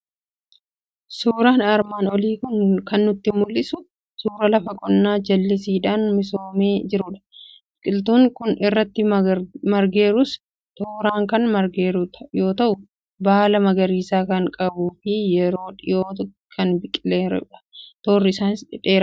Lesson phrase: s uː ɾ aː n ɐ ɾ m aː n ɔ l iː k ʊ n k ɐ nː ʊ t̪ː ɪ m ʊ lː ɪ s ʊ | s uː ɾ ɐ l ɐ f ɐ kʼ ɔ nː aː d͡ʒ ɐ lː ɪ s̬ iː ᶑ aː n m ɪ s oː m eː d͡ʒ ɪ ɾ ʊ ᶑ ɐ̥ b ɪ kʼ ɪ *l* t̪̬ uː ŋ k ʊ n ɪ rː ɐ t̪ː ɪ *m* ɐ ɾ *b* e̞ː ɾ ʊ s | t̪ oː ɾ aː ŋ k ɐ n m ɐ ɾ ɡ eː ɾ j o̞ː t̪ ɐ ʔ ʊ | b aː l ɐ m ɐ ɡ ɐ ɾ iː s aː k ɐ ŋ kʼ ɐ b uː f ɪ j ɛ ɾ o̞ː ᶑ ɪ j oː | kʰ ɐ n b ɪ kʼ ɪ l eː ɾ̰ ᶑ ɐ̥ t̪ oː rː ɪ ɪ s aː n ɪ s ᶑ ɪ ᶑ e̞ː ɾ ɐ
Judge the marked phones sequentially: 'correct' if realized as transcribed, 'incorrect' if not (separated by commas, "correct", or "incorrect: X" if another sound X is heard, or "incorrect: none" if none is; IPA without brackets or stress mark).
correct, correct, incorrect: ɡ